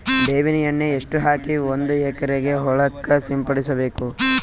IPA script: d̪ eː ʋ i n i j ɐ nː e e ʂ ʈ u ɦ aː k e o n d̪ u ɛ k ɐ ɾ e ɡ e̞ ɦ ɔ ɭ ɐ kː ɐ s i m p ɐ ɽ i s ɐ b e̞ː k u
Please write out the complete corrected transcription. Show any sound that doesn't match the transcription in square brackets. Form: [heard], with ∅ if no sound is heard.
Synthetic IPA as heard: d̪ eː ʋ i n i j ɐ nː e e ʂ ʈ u ɦ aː k [i] o n d̪ u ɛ k ɐ ɾ e ɡ e̞ ɦ ɔ ɭ ɐ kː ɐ s i m p ɐ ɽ i s ɐ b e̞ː k u